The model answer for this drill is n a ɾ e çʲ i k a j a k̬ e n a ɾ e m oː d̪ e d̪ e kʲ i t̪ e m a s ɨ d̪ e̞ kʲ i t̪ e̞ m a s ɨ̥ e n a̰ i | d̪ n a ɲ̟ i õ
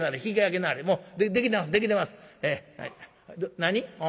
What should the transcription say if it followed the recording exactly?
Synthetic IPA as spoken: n a ɾ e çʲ i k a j a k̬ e n a ɾ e m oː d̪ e d̪ e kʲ i t̪ e m a s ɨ d̪ e̞ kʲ i t̪ e̞ m a s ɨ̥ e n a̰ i | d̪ n a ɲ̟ i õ